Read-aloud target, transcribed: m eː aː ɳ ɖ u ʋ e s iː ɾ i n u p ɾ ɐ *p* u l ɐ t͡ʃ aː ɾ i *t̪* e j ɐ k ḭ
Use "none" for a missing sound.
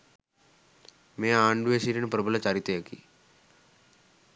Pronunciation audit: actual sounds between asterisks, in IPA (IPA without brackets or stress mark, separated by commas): b, t̪